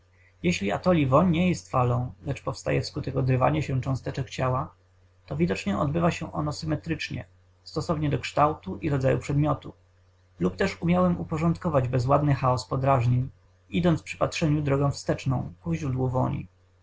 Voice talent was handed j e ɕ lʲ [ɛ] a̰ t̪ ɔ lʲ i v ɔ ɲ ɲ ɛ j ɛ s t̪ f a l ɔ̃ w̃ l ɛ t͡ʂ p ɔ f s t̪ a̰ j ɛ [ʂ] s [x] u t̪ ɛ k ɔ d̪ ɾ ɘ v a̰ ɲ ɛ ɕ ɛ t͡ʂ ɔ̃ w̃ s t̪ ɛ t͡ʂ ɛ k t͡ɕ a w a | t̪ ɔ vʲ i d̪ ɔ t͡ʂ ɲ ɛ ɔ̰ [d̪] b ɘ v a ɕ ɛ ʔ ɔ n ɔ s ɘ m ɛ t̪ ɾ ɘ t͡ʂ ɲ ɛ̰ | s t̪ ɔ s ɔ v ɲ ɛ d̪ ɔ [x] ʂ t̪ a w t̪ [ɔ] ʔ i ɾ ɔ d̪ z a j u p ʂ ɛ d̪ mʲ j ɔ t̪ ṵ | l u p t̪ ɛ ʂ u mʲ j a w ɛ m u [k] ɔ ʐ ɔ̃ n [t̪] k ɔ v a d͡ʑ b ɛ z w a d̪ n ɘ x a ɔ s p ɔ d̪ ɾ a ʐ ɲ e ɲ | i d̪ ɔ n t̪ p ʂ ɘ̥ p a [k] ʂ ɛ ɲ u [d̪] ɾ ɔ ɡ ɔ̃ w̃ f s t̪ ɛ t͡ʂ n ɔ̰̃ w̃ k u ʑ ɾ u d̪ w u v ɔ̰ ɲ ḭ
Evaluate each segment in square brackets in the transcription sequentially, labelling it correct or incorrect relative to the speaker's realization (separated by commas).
incorrect, incorrect, incorrect, correct, incorrect, incorrect, incorrect, correct, incorrect, correct